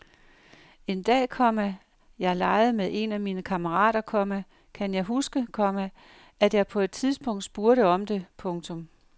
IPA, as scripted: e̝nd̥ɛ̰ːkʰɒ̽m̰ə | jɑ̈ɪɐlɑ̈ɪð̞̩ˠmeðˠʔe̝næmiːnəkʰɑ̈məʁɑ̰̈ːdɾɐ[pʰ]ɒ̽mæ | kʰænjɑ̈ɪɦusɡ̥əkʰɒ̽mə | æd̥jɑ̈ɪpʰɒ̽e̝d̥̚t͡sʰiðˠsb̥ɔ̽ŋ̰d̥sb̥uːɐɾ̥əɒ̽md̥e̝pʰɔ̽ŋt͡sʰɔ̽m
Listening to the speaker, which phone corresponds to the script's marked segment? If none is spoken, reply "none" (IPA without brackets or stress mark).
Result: kʰ